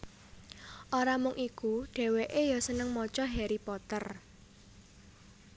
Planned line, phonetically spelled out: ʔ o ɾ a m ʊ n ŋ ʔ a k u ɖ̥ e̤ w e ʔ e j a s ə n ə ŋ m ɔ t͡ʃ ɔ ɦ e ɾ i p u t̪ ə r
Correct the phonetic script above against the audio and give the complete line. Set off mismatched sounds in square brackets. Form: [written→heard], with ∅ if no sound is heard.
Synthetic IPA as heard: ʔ o ɾ a m ʊ [n→∅] ŋ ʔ [a→i] k u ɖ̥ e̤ w e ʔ e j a s ə n ə ŋ m ɔ t͡ʃ ɔ ɦ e ɾ i p [u→ɔ] t̪ ə r

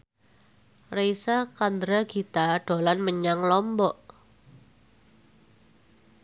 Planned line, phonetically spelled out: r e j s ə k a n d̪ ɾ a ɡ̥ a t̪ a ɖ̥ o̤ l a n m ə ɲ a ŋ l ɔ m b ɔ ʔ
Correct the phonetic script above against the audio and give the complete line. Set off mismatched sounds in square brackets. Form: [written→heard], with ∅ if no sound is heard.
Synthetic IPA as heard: r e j s [ə→a] k a n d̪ ɾ a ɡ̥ [a→i] t̪ a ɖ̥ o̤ l a n m ə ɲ a ŋ l ɔ m b ɔ ʔ

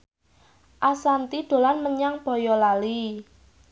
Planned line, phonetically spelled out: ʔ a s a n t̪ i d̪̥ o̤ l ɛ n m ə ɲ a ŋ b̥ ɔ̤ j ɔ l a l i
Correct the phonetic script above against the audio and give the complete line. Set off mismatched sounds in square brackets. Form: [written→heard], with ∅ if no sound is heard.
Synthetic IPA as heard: ʔ a s a n t̪ i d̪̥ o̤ l [ɛ→a] n m ə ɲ a ŋ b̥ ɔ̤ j ɔ l a l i

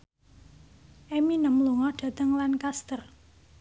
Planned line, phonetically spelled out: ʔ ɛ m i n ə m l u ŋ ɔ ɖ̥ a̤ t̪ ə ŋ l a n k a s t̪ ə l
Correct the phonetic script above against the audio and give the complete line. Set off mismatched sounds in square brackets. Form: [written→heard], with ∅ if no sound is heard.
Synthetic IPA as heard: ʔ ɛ m i n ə m l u ŋ ɔ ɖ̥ a̤ t̪ ə ŋ l a n k a s t̪ ə [l→r]

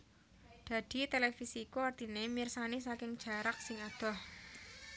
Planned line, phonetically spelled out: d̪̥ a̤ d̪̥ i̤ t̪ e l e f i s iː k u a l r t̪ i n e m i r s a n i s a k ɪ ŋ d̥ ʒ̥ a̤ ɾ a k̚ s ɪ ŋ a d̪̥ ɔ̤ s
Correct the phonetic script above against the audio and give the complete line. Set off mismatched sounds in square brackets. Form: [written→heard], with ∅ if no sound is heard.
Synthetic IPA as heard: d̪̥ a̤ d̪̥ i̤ t̪ e l e f i s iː k u a [l→∅] r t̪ i n e m i r s a n i s a k ɪ ŋ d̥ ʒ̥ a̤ ɾ a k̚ s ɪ ŋ a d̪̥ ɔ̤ [s→h]

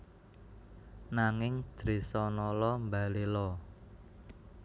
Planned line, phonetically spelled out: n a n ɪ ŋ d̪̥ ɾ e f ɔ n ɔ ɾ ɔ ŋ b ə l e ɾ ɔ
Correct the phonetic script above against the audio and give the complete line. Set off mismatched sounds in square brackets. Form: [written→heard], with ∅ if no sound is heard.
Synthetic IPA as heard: n a [n→ŋ] ɪ ŋ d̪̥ ɾ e [f→s] ɔ n ɔ [ɾ→l] ɔ [ŋ→m] b [ə→a] l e [ɾ→l] ɔ

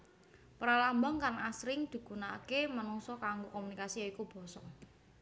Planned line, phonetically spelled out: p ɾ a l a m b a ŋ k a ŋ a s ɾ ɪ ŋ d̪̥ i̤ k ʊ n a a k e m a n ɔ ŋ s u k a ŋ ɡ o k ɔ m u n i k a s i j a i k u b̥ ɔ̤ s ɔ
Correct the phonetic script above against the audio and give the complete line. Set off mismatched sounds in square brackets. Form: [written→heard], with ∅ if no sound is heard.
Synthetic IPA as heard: p ɾ a l a m b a ŋ k a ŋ a s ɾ ɪ ŋ d̪̥ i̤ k [ʊ→u] n a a k e m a n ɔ ŋ s [u→ɔ] k a ŋ ɡ o k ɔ m u n i k a s i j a i k u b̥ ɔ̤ s ɔ

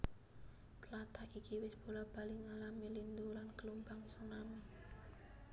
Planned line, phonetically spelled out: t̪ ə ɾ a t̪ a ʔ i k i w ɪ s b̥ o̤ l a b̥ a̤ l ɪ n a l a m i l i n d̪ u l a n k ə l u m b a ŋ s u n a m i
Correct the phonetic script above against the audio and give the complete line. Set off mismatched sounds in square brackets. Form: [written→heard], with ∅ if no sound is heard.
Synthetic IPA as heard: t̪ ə [ɾ→l] a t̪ a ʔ i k i w ɪ s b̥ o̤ l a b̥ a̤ l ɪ [n→ŋ] a l a m i l i n d̪ u l a n k ə l u m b a ŋ s u n a m i

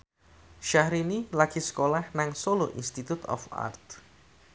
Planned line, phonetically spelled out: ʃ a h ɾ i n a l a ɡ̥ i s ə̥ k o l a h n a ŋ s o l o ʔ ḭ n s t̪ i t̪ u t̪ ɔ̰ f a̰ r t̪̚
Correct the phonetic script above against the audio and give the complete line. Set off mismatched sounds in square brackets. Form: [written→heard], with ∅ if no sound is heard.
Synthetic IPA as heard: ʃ a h ɾ i n [a→i] l a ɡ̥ i s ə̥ k o l a h n a ŋ s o l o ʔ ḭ n s t̪ i t̪ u t̪ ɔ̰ f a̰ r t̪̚

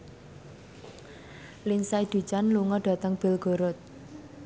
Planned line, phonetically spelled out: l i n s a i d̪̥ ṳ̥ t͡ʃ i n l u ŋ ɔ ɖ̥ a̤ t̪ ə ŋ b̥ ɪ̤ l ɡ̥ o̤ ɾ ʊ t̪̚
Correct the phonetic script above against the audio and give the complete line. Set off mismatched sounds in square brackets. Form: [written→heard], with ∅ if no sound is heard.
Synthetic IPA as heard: l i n s a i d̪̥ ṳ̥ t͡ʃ [i→a] n l u ŋ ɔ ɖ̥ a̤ t̪ ə ŋ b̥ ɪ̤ l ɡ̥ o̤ ɾ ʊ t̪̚

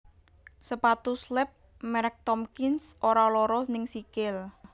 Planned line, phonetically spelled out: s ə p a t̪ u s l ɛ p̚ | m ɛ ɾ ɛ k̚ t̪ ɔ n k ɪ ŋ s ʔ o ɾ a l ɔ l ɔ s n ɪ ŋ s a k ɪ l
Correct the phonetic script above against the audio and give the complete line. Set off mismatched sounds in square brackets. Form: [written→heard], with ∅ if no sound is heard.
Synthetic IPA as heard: s ə p a t̪ u s l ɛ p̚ | m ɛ ɾ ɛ k̚ t̪ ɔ [n→m] k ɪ [ŋ→n] s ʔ o ɾ a l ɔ [l→ɾ] ɔ s n ɪ ŋ s [a→i] k ɪ l

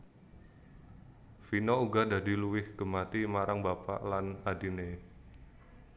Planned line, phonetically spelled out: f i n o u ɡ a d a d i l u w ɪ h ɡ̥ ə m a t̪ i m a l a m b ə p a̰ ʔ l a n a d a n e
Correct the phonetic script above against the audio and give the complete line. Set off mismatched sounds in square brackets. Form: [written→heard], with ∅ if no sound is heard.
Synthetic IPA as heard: f i n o u ɡ a d a d i l u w ɪ h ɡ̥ ə m a t̪ i m a [l→ɾ] a [m→ŋ] b [ə→a] p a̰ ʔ l a n a d [a→i] n e

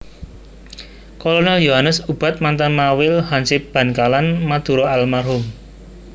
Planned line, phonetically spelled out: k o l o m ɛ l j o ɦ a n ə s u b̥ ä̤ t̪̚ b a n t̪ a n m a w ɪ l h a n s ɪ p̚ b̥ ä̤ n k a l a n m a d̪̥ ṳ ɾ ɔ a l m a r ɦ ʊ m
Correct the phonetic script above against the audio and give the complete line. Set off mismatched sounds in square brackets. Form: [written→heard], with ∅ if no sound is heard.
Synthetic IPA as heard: k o l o [m→n] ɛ l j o ɦ a n ə s u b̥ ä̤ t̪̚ [b→m] a n t̪ a n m a w ɪ l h a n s ɪ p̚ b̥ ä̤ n k a l a n m a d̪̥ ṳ ɾ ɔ a l m a r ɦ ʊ m

